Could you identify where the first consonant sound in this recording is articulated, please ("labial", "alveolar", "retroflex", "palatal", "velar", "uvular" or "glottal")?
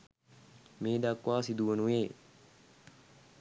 labial